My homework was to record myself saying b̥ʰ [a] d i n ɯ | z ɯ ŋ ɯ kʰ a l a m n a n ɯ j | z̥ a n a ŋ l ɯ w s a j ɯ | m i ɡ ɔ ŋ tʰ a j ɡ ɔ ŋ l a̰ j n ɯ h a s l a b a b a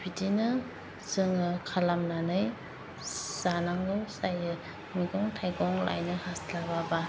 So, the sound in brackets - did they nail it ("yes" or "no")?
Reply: no